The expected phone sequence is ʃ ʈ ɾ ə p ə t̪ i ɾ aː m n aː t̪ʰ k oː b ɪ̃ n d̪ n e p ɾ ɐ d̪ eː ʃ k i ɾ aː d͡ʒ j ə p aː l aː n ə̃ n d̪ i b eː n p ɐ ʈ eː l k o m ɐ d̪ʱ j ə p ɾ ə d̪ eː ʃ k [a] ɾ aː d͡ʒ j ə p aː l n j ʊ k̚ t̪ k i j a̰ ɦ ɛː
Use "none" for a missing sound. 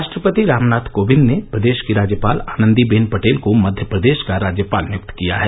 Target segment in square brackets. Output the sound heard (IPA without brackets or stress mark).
a